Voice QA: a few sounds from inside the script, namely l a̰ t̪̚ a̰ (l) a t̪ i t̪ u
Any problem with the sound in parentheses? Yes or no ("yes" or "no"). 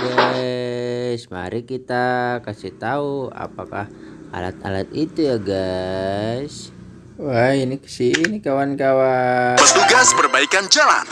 no